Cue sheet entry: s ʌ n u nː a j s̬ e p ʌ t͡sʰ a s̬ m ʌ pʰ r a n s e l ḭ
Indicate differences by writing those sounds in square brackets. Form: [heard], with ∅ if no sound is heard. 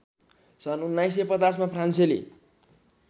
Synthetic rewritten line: s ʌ n u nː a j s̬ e p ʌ [t͡s] a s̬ m [a] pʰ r a n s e l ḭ